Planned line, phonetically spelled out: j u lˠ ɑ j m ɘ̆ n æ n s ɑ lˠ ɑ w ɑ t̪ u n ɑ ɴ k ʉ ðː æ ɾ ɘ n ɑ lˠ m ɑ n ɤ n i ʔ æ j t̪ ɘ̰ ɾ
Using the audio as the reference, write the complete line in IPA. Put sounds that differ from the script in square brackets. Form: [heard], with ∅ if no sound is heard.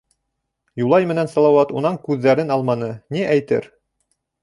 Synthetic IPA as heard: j u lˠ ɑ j m ɘ̆ n æ n s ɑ lˠ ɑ w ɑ t̪ u n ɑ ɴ k ʉ ðː æ ɾ ɘ n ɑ lˠ m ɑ n ɤ n i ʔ æ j t̪ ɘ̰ ɾ